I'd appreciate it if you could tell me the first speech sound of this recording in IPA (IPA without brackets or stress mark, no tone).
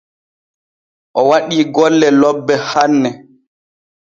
ʔ